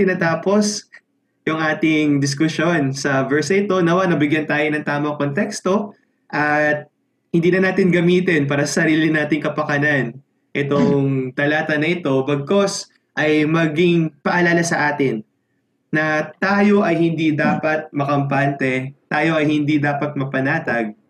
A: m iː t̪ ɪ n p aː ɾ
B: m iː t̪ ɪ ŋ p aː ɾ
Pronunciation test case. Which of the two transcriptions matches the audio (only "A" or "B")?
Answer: A